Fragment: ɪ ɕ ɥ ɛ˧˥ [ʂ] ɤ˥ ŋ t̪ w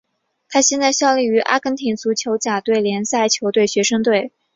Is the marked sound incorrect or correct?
correct